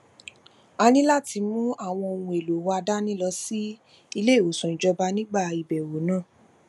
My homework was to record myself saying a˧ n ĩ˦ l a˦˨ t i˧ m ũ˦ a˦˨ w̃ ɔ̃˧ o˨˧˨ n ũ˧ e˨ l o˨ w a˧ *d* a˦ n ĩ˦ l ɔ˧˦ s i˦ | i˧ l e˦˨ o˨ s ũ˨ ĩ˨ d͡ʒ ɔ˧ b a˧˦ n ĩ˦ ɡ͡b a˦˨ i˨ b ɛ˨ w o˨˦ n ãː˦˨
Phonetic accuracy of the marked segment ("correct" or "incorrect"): correct